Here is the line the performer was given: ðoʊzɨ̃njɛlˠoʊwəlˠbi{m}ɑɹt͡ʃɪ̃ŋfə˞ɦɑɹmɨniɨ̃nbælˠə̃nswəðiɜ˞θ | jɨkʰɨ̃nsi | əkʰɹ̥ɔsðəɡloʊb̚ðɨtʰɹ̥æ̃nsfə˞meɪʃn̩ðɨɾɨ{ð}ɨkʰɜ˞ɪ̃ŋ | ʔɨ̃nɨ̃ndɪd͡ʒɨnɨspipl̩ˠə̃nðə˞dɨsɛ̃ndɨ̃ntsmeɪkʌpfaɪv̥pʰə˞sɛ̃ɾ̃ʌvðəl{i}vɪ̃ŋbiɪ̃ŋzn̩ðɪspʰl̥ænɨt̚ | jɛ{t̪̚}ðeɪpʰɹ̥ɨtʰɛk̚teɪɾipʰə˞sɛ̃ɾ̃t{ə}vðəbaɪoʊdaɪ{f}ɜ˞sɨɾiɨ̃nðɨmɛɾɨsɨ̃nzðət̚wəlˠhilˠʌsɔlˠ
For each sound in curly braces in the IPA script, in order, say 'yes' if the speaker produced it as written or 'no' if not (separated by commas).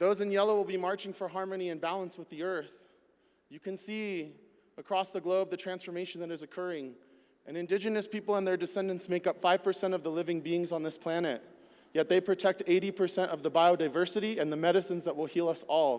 yes, no, no, yes, no, no